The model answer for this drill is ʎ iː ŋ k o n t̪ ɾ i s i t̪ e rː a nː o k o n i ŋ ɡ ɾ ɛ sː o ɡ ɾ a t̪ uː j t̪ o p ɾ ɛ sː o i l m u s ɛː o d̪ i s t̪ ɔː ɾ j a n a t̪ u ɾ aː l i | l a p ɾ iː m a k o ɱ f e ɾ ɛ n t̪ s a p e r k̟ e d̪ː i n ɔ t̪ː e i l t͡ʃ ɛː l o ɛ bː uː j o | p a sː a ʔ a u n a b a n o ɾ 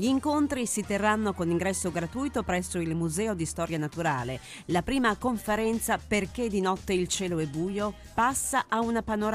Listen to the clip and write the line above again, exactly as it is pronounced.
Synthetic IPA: ʎ iː ŋ k o n t̪ ɾ i s i t̪ e rː a nː o k o n i ŋ ɡ ɾ ɛ sː o ɡ ɾ a t̪ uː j t̪ o p ɾ ɛ sː o i l m u z ɛː o d̪ i s t̪ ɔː ɾ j a n a t̪ u ɾ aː l e | l a p ɾ iː m a k o ɱ f e ɾ ɛ n t̪ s a p e r k̟ e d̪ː i n ɔ t̪ː e i l t͡ʃ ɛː l o ɛ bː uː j o | p a sː a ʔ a u n a p a n o ɾ